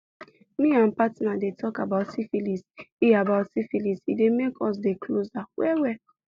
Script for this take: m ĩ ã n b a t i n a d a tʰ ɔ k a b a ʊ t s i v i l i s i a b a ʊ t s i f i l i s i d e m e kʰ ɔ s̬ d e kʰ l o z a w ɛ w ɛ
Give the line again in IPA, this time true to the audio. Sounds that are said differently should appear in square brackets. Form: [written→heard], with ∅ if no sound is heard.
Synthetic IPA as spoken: m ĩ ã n [b→p] a t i n a d [a→e] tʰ ɔ k a b a ʊ t s i [v→f] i l i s i a b a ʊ t s i f i l i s i d e m e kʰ ɔ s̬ d e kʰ l o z a w ɛ w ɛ